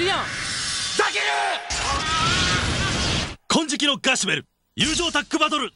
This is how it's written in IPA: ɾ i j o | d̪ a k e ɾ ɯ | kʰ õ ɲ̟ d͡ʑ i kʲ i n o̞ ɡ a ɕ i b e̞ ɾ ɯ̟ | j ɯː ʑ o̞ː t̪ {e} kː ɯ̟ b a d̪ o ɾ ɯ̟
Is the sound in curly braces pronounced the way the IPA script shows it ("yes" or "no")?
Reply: no